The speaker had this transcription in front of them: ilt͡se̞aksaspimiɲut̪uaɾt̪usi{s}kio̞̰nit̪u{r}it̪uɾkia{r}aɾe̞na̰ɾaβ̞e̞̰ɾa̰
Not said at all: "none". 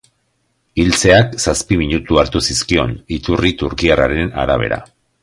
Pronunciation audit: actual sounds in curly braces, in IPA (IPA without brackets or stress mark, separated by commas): s, r, r